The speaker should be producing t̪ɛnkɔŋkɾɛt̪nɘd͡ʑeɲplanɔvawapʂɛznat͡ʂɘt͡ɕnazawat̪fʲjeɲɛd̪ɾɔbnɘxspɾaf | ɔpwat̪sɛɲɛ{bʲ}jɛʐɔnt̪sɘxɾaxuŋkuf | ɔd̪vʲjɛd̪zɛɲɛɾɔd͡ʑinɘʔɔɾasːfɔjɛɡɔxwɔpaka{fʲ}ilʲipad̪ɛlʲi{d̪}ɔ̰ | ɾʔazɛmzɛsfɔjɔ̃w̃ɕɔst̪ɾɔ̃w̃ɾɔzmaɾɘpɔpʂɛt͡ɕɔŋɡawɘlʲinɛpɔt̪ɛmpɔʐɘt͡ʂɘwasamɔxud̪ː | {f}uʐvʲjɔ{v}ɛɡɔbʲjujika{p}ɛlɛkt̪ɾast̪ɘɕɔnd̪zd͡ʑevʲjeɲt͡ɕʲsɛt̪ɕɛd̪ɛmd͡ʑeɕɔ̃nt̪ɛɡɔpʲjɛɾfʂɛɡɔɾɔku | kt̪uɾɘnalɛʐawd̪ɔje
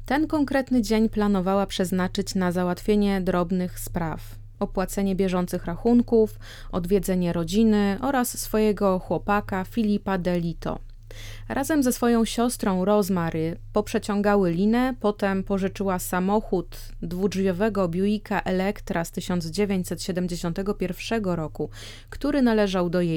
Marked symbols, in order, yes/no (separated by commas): yes, yes, no, no, yes, no